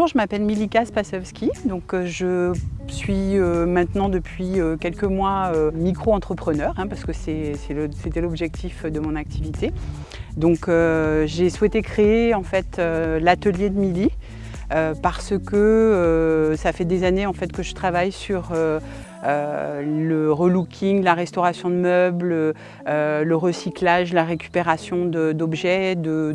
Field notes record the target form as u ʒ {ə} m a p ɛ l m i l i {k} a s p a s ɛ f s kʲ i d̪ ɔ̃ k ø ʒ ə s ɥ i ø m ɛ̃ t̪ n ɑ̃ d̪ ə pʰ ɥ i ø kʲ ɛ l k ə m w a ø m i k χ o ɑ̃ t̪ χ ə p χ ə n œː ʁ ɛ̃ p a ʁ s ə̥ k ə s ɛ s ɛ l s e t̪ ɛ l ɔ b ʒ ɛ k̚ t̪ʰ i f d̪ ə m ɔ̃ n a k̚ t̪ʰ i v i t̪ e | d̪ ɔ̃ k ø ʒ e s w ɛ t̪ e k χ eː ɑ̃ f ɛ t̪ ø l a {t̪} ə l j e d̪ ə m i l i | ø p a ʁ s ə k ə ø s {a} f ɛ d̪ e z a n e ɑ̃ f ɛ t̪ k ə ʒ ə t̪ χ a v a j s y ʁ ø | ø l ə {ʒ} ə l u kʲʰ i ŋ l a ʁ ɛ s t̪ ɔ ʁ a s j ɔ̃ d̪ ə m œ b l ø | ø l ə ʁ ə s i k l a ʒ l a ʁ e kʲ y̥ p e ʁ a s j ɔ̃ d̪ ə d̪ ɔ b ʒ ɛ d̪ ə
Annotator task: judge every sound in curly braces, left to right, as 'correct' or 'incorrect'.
correct, correct, correct, correct, incorrect: ʁ

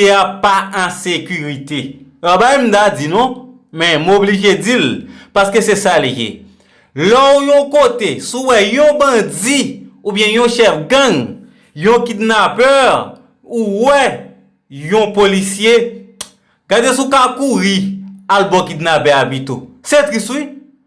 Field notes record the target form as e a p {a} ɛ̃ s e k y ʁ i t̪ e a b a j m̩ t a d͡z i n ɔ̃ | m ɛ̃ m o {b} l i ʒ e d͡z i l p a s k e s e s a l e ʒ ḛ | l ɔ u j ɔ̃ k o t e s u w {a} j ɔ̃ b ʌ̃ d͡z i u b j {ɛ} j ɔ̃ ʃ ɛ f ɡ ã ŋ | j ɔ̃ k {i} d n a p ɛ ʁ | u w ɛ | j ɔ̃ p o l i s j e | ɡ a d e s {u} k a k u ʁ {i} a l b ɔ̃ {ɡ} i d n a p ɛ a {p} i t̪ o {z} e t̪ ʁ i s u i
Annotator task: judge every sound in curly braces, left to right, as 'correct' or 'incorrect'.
correct, correct, incorrect: ɛ, incorrect: ɛ̃, correct, correct, correct, incorrect: k, incorrect: b, incorrect: s

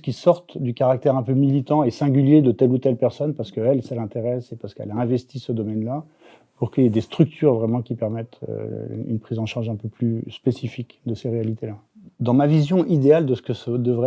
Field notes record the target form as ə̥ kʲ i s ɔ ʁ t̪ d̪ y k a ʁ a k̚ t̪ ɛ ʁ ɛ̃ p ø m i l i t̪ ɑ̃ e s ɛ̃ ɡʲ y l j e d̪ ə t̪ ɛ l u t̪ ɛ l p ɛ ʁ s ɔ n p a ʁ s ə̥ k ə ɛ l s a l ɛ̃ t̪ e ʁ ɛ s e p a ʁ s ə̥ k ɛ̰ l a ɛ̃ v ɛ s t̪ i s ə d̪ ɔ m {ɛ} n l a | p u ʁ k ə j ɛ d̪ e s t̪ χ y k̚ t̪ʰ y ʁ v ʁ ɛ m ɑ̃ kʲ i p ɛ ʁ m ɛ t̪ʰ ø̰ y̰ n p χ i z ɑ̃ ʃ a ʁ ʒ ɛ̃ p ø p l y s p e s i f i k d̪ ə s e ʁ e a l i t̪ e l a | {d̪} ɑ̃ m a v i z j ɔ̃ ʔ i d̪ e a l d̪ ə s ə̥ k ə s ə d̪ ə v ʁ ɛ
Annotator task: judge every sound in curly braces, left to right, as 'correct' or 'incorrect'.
correct, correct

